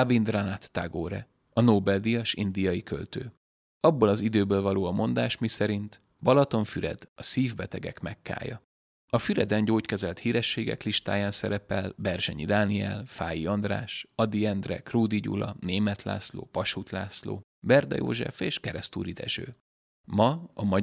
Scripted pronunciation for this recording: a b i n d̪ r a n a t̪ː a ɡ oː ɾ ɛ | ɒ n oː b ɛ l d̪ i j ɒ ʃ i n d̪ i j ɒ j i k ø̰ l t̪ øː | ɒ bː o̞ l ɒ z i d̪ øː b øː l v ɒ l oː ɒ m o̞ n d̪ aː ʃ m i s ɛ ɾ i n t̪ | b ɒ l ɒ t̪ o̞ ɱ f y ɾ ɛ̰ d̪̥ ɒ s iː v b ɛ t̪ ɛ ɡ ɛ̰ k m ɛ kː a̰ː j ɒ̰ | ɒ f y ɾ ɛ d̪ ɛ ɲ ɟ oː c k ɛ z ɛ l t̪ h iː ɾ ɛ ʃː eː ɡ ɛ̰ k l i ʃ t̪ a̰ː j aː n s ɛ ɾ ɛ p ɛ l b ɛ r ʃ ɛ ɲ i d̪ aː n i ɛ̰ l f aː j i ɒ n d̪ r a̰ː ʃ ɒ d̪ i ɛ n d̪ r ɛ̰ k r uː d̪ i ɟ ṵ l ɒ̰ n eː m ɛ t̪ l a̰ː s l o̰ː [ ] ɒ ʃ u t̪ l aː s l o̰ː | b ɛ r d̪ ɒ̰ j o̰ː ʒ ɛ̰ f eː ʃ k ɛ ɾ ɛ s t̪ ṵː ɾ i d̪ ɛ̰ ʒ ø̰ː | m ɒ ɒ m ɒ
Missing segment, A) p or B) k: A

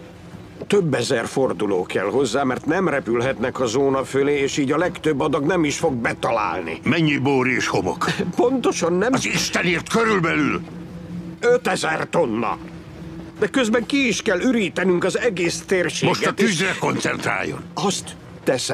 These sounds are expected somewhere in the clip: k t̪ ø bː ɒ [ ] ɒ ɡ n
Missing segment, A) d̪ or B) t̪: A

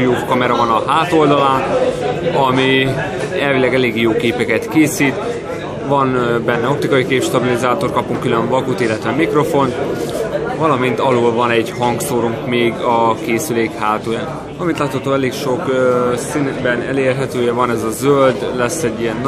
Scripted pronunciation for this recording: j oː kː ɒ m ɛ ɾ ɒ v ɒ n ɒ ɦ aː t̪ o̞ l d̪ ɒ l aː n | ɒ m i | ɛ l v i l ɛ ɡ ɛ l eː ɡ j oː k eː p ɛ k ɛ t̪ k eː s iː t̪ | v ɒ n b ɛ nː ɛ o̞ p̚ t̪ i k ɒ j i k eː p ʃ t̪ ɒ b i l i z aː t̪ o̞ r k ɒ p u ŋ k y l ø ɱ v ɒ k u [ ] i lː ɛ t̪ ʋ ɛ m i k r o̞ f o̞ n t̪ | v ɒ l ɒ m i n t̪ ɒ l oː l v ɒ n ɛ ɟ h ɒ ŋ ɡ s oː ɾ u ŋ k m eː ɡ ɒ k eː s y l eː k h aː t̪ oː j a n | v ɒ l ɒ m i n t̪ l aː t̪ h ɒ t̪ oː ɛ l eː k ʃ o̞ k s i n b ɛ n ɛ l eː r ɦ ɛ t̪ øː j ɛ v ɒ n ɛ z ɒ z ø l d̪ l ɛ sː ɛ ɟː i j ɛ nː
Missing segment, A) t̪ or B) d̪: A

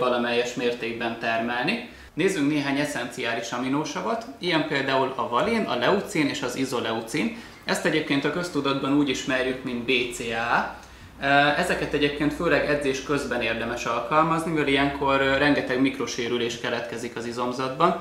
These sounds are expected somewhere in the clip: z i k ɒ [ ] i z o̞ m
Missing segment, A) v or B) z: B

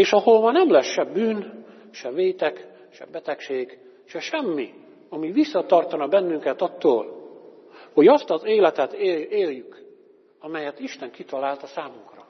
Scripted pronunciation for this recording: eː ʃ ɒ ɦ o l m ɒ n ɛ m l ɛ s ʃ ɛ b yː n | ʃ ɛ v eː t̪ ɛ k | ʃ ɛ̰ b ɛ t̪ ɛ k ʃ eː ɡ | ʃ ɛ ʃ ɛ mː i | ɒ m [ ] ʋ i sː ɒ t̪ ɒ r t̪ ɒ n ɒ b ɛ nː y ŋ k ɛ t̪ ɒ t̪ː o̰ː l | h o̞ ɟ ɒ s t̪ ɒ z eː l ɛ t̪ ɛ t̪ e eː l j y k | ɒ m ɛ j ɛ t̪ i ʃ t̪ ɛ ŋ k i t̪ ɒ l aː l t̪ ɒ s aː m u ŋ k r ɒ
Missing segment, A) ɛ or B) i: B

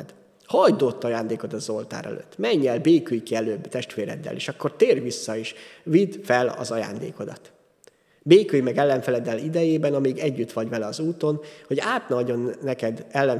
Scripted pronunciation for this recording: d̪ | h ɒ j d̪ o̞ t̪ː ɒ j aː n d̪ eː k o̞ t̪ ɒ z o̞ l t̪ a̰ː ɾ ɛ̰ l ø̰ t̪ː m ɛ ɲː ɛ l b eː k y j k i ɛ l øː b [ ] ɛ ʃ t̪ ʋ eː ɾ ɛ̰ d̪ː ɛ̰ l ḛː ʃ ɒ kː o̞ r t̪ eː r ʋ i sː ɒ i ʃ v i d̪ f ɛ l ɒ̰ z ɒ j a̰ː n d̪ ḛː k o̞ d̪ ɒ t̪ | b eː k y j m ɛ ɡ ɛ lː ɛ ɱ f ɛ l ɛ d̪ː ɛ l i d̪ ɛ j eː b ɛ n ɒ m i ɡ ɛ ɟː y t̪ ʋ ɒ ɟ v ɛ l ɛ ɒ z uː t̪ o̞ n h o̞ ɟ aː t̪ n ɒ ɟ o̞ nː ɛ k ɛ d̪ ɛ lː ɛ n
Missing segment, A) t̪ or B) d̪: A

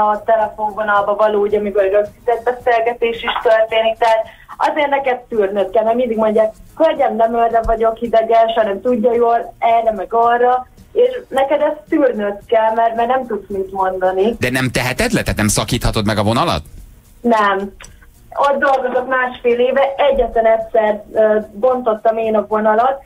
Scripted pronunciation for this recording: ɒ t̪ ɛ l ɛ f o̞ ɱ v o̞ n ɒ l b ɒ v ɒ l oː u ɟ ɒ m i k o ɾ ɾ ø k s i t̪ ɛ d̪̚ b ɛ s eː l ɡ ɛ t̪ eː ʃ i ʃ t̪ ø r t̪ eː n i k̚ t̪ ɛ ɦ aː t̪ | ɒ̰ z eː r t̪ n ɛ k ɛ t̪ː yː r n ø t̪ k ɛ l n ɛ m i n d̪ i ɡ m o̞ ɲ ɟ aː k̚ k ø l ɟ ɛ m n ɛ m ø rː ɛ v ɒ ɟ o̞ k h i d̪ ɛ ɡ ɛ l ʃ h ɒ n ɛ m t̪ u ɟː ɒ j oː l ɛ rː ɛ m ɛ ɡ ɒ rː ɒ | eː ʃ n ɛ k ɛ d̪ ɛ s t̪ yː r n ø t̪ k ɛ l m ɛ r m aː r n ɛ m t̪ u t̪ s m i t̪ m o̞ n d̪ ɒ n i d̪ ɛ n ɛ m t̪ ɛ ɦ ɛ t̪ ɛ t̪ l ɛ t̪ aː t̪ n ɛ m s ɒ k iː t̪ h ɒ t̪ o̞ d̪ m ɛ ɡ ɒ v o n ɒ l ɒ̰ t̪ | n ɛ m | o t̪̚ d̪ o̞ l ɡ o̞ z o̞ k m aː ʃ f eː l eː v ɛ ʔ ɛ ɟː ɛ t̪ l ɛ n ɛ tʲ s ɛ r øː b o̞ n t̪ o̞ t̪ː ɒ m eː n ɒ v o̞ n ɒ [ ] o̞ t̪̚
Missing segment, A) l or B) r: A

